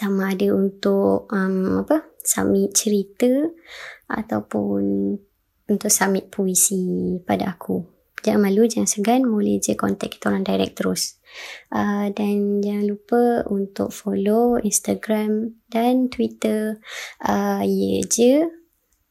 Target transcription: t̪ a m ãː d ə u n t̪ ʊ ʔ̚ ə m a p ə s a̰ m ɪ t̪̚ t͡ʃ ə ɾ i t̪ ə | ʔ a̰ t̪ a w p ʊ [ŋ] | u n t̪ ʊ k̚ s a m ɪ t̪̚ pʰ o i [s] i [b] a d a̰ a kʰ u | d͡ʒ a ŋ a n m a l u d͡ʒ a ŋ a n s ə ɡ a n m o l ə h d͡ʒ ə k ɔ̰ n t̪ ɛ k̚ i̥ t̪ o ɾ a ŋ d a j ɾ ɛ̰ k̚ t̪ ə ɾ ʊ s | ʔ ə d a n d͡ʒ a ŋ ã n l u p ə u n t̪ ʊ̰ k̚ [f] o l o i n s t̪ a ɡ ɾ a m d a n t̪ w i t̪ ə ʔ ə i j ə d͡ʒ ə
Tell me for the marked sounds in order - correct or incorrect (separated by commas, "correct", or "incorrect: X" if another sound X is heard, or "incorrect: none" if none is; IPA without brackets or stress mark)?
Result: incorrect: n, correct, incorrect: p, correct